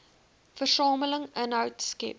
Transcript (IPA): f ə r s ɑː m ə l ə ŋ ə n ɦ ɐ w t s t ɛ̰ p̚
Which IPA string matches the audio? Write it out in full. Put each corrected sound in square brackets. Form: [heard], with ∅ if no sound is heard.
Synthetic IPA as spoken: f ə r s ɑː m ə l ə ŋ ə n ɦ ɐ w t s [k] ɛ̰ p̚